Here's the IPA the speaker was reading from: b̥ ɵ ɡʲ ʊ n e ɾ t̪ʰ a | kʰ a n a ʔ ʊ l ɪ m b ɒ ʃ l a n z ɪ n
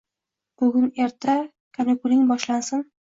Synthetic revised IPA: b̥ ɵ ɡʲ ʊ n e ɾ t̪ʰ a | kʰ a n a k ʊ l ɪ ŋ b ɒ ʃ l a n s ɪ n